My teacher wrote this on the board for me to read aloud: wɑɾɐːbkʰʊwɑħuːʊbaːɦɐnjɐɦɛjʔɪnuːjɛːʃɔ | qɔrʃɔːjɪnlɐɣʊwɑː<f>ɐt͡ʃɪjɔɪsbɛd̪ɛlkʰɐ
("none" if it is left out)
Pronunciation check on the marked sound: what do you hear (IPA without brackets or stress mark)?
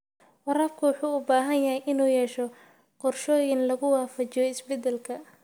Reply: f